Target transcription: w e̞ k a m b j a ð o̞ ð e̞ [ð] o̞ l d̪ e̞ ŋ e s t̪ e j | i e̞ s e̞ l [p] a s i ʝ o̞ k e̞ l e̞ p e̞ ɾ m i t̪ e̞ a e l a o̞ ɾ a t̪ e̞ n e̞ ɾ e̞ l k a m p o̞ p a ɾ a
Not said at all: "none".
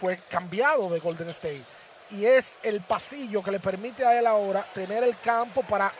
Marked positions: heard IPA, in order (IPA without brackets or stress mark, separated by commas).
ɣ, p